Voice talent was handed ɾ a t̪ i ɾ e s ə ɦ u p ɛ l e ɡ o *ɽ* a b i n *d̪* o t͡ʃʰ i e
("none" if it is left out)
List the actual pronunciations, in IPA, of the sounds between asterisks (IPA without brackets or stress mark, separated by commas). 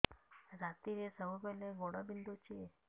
ɽ, d̪